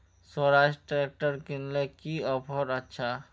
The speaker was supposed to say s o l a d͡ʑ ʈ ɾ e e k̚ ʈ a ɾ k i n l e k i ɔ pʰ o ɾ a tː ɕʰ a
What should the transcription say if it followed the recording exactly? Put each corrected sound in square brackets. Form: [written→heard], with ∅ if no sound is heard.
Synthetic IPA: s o [l→ɾ] a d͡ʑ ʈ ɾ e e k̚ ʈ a ɾ k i n l e k i ɔ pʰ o ɾ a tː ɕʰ a